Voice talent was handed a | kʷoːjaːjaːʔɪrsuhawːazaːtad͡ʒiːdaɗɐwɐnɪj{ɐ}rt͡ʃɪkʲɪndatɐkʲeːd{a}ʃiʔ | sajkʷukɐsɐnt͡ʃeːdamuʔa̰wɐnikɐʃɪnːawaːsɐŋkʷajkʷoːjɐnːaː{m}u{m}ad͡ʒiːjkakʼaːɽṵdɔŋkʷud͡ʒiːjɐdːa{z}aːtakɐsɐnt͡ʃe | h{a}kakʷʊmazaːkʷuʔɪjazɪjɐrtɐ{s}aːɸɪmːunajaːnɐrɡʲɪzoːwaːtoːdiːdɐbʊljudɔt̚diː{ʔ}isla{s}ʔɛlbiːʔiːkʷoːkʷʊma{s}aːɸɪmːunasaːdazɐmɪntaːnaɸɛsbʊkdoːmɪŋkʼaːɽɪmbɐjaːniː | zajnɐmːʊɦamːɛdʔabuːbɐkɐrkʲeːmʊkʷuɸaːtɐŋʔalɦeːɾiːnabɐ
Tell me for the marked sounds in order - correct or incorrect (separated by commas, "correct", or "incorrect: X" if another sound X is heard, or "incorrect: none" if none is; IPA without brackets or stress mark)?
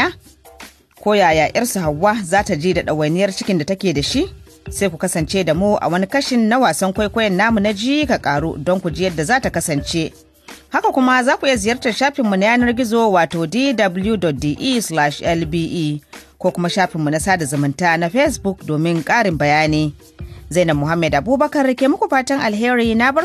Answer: correct, correct, correct, incorrect: n, correct, correct, incorrect: ʃ, correct, incorrect: ʃ, incorrect: ʃ